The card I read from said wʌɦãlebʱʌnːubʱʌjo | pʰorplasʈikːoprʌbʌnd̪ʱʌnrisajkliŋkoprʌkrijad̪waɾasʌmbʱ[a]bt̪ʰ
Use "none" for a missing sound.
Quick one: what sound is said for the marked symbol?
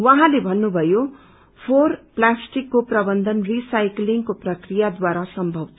ʌ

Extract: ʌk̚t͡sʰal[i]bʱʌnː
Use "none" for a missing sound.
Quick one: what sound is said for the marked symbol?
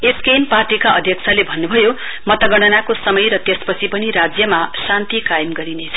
e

